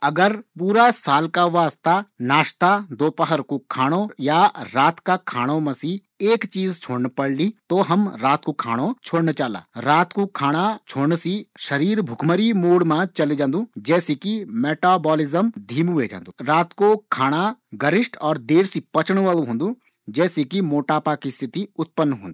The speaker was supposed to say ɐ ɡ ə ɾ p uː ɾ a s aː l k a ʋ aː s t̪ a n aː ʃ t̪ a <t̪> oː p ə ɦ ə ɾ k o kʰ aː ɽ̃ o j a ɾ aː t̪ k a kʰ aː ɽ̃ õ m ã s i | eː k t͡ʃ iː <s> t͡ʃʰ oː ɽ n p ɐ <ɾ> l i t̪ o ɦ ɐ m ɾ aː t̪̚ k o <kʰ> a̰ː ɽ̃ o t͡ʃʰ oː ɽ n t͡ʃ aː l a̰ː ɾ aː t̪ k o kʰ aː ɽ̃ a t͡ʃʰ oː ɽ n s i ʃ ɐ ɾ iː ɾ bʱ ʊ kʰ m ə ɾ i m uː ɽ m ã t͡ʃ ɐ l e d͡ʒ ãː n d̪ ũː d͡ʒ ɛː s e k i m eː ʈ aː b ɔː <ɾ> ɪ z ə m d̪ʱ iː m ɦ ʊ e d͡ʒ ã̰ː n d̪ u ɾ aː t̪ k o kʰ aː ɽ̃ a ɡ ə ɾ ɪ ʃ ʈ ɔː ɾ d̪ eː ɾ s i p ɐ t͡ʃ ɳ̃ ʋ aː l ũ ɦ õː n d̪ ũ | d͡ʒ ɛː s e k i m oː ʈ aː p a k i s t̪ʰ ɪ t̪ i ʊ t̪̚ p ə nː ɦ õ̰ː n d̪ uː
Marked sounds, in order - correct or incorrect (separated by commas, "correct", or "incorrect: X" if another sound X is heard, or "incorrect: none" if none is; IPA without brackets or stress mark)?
incorrect: d̪, incorrect: z, incorrect: ɽ, correct, incorrect: l